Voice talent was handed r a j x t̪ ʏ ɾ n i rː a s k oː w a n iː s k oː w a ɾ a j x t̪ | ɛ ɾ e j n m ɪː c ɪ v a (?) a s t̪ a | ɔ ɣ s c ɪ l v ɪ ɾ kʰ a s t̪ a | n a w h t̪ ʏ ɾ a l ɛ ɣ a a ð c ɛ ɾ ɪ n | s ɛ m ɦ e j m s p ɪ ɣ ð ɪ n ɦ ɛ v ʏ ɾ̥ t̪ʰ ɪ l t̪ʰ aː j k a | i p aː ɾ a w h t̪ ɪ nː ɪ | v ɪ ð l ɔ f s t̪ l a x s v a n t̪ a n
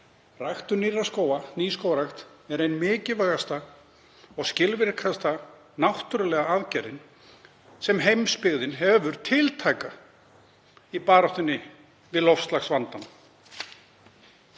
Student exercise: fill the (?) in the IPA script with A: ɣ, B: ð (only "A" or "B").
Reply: A